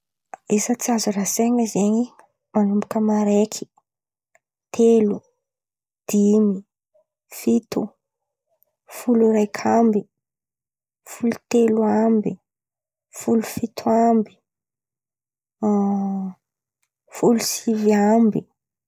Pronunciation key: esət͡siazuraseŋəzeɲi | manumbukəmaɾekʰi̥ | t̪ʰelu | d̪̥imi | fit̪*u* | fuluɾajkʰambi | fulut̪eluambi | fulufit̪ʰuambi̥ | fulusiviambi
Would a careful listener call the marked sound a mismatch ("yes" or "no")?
no